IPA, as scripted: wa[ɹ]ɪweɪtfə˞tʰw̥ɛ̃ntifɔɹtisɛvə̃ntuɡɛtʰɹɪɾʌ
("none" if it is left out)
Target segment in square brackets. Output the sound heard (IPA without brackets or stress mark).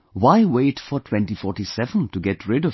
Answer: none